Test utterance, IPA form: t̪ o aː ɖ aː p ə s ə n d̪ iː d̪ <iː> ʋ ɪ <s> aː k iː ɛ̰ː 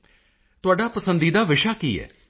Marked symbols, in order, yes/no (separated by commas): no, no